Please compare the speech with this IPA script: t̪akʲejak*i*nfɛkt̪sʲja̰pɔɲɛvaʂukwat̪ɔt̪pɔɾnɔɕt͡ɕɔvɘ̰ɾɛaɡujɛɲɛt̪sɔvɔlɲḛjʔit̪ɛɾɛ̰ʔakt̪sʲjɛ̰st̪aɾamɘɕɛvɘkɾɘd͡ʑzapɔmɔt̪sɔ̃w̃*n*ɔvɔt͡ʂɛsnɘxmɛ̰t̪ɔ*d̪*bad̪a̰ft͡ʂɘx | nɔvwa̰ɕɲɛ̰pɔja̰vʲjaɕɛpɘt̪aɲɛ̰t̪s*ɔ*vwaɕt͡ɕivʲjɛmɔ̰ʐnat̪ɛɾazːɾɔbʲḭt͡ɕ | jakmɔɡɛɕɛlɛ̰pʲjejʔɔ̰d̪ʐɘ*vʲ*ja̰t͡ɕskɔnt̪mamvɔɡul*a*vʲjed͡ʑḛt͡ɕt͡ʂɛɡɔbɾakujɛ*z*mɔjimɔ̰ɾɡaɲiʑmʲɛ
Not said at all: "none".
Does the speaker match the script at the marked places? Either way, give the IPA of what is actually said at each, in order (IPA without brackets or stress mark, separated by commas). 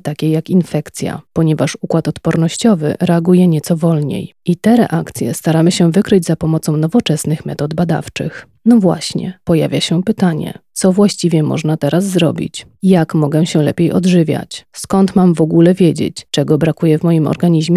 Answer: i, n, d̪, ɔ, vʲ, ɛ, v